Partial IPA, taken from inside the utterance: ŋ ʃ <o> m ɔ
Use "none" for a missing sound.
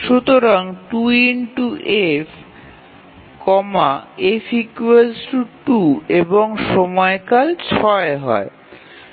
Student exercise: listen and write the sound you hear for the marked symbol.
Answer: ɔ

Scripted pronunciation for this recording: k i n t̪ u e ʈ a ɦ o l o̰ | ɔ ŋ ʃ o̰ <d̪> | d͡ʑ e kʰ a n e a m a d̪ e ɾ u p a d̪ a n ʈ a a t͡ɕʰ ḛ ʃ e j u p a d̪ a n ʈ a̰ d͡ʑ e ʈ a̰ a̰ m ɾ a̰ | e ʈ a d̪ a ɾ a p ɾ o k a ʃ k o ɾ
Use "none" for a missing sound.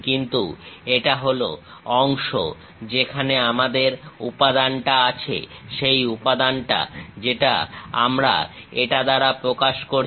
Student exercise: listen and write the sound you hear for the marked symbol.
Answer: none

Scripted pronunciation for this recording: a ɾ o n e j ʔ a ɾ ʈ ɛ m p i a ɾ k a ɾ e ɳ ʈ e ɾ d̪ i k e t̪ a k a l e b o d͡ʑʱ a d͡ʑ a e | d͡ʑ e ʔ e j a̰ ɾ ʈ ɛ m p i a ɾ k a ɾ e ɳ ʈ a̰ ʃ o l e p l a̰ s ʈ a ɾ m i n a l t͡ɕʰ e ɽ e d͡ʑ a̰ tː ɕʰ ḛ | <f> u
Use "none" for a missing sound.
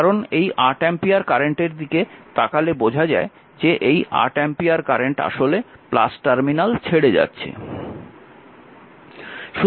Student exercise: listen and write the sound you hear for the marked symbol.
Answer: ʃ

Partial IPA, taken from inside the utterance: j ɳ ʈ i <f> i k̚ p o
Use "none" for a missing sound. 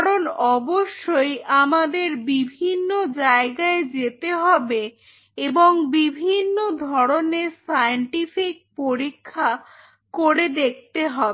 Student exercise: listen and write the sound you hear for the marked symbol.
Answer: f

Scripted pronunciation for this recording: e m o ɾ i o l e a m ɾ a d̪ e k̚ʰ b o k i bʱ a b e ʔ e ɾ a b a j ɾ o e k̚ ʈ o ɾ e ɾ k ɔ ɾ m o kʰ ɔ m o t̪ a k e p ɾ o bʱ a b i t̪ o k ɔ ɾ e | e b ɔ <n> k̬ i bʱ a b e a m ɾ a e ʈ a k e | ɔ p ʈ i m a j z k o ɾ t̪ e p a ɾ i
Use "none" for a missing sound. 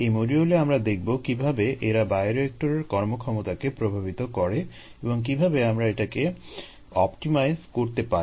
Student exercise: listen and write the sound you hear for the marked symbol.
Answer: ŋ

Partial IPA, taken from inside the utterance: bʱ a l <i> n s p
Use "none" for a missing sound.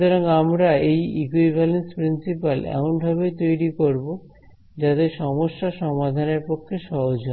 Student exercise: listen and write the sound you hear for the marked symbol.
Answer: e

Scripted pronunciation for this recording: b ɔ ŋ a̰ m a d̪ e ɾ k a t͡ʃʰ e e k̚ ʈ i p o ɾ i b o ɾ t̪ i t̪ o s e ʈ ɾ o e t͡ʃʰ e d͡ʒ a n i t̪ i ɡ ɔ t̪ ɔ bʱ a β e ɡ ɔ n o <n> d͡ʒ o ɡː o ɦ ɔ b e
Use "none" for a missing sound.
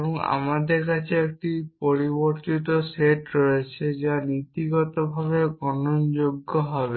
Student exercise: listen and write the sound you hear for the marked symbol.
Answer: n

